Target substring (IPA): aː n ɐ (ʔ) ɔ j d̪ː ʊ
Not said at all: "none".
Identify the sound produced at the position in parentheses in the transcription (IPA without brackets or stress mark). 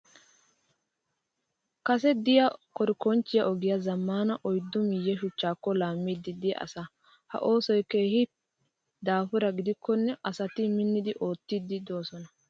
ʔ